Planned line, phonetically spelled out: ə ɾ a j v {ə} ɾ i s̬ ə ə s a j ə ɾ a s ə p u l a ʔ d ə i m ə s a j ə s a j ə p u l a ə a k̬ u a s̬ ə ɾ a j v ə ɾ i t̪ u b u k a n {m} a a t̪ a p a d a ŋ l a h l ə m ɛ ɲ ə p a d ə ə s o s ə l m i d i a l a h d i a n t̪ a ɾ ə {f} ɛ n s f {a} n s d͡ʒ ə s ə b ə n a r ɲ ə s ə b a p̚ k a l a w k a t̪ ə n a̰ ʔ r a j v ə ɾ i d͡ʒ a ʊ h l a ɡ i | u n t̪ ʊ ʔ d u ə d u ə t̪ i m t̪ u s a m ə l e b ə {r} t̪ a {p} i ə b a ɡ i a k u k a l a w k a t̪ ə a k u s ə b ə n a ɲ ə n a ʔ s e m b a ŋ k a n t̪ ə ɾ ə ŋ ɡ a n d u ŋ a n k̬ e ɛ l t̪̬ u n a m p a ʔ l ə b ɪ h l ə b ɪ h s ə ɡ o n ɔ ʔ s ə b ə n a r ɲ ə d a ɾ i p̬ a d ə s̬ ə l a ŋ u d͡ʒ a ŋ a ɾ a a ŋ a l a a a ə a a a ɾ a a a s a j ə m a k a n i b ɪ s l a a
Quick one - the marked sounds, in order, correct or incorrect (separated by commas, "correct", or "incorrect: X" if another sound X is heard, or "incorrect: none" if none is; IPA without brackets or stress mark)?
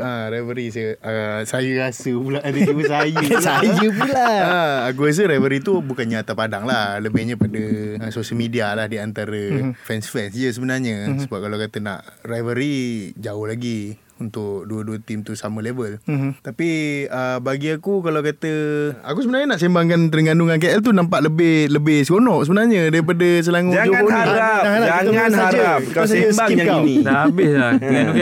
correct, incorrect: ɲ, correct, incorrect: ɛ, incorrect: l, correct